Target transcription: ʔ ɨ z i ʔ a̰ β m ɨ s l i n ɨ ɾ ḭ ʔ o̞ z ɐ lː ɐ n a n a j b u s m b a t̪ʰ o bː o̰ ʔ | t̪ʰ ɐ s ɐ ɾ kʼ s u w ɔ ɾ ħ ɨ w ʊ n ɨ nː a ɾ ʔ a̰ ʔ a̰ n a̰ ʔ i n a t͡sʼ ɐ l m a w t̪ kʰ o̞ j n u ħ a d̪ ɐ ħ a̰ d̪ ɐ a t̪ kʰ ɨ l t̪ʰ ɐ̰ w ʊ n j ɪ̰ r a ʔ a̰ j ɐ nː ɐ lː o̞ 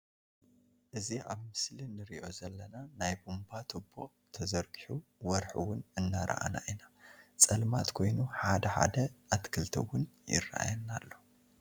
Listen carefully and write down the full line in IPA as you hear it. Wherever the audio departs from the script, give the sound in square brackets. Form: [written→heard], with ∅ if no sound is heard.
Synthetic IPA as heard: ʔ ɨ z i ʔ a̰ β m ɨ s l i n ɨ ɾ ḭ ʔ o̞ z ɐ lː ɐ n a n a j b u [s→∅] m b a t̪ʰ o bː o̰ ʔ | t̪ʰ ɐ [s→z] ɐ ɾ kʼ [s→ħ] u w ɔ ɾ ħ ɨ w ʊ n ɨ nː a ɾ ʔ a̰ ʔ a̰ n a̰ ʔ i n a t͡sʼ ɐ l m a [w→∅] t̪ kʰ o̞ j n u ħ a d̪ ɐ ħ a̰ d̪ ɐ a t̪ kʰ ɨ l t̪ʰ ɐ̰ w ʊ n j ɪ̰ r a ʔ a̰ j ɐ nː [ɐ→a] lː o̞

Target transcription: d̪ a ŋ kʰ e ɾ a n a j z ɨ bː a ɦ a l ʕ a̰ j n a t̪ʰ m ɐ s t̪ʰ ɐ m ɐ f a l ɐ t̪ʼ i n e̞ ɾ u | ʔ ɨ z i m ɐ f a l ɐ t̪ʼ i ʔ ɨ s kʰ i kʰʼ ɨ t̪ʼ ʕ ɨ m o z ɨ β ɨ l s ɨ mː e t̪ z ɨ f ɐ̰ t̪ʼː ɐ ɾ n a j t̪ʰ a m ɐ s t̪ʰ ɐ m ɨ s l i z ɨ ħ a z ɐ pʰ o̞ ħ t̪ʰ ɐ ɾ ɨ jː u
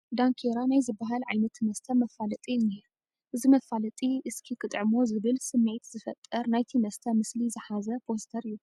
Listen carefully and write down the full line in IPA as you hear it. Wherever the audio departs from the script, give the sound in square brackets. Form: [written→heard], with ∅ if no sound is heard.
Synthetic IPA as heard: d̪ a ŋ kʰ e ɾ a n a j z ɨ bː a ɦ a l ʕ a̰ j n [a→ɐ] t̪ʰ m ɐ s t̪ʰ ɐ m ɐ f a l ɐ t̪ʼ i n e̞ ɾ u | ʔ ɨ z i m ɐ f a l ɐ t̪ʼ i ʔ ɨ s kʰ i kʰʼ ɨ t̪ʼ ʕ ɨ m o z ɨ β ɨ l s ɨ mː e t̪ z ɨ f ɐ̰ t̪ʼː ɐ ɾ n a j t̪ʰ [a→i] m ɐ s t̪ʰ ɐ m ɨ s l i z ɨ ħ a z ɐ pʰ o̞ [ħ→s] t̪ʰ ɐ ɾ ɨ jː u

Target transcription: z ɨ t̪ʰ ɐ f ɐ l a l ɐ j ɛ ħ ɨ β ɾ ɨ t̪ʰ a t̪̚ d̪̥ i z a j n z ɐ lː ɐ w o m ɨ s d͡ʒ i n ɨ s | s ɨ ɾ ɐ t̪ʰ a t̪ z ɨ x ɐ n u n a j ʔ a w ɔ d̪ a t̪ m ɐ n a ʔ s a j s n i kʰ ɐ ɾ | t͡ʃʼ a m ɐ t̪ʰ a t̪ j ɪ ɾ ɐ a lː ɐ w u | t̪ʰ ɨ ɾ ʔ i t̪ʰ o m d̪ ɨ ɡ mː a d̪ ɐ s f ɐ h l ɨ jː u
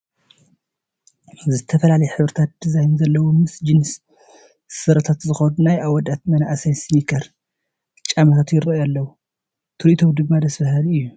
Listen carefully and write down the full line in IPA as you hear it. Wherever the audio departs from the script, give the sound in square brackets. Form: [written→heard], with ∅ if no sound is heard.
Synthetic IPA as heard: z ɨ t̪ʰ ɐ f ɐ l a l ɐ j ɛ ħ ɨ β ɾ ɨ t̪ʰ a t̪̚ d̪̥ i z a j n z ɐ lː ɐ w o m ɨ s d͡ʒ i n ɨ s | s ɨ ɾ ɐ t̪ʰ a t̪ z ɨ x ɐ n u n a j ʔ a w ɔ d̪ a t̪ m ɐ n a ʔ s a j s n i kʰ ɐ ɾ | t͡ʃʼ a m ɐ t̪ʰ a t̪ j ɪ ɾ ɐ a lː ɐ w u | t̪ʰ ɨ ɾ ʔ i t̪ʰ o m d̪ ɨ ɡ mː a d̪ ɐ s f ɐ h l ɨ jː u

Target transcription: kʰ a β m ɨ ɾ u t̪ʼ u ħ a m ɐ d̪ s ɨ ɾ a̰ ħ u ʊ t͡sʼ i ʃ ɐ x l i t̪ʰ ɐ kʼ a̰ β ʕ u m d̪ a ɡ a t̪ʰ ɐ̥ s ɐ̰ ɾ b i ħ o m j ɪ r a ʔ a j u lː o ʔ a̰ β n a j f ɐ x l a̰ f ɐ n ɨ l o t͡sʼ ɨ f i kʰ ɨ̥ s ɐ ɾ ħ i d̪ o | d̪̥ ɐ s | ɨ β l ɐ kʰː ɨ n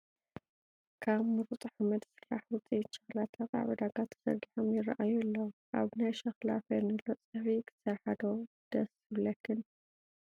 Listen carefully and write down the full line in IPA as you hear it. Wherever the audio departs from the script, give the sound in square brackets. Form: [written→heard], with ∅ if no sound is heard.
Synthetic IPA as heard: kʰ a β m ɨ ɾ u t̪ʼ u ħ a m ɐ d̪ s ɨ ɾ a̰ ħ [u→w] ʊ t͡sʼ i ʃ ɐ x l [i→a] t̪ʰ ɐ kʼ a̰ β ʕ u [m→∅] d̪ a ɡ a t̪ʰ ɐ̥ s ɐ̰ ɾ [b→ɡ] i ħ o m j ɪ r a ʔ a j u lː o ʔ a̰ β n a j [f→ʃ] ɐ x l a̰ f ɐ n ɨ l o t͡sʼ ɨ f i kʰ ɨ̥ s ɐ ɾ ħ [i→a] d̪ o | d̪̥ ɐ s | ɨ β l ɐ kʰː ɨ n

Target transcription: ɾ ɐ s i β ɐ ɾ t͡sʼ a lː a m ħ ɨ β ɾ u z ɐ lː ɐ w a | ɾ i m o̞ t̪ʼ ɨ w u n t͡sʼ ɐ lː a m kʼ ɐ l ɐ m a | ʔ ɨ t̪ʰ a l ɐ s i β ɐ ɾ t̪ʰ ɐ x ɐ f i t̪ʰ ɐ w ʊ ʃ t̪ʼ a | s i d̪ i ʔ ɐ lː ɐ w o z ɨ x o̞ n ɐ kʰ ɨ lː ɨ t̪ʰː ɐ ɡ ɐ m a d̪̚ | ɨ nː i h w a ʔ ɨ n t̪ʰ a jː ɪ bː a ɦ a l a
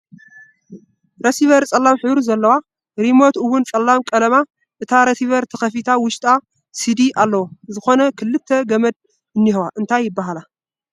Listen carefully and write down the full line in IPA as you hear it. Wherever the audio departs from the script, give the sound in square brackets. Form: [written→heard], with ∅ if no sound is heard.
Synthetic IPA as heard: ɾ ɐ s i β ɐ ɾ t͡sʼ [a→ɐ] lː a m ħ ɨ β ɾ u z ɐ lː ɐ w a | ɾ i m o̞ [t̪ʼ→t̪] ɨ w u n t͡sʼ ɐ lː a m kʼ ɐ l ɐ m a | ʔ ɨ t̪ʰ a [l→ɾ] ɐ s i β ɐ ɾ t̪ʰ ɐ x ɐ f i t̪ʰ [ɐ→a] w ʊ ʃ t̪ʼ a | s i d̪ i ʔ [ɐ→a] lː ɐ w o z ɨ x o̞ n ɐ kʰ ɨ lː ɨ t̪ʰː ɐ ɡ ɐ m [a→ɐ] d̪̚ | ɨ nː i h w a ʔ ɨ n t̪ʰ a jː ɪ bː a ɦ a l a

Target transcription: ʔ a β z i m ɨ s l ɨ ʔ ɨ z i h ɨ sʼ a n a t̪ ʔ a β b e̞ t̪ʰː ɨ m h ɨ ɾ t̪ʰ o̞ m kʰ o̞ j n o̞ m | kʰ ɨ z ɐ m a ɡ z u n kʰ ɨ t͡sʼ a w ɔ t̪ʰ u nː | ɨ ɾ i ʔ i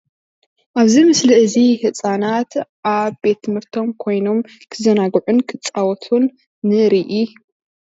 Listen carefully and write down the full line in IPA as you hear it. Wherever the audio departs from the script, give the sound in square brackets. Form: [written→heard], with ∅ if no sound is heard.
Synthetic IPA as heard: ʔ a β z i m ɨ s l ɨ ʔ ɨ z i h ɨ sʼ a n a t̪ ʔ a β b e̞ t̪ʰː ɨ m h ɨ ɾ t̪ʰ o̞ m kʰ o̞ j n o̞ m | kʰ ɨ z ɐ [m→n] a ɡ [z→ʕ] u n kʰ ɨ t͡sʼ a w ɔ t̪ʰ u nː | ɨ ɾ i ʔ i

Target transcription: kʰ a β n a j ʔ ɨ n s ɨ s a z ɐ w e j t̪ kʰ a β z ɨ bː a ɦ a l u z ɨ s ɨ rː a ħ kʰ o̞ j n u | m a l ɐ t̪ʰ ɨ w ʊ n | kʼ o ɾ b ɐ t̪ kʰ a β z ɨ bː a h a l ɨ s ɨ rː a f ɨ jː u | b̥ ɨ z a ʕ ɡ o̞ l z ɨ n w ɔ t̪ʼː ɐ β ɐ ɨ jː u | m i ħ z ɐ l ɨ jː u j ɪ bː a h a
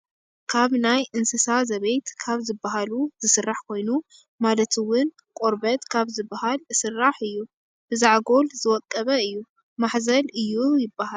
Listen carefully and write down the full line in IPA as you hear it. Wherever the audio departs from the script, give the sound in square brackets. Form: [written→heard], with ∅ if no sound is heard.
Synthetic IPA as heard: kʰ a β n a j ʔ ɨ n s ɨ s a z ɐ [w→β] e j t̪ kʰ a β z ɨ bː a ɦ a l u z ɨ s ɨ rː a ħ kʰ o̞ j n u | m a l ɐ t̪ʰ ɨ w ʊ n | kʼ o ɾ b ɐ t̪ kʰ a β z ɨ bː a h a l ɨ s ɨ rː a [f→ħ] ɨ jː u | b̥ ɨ z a ʕ ɡ o̞ l z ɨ [n→∅] w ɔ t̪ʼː ɐ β ɐ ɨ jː u | m [i→a] ħ z ɐ l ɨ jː u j ɪ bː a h a

